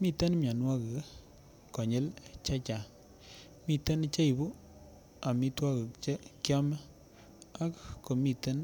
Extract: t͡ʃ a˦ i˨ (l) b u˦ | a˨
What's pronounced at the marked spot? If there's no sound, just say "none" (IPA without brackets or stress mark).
none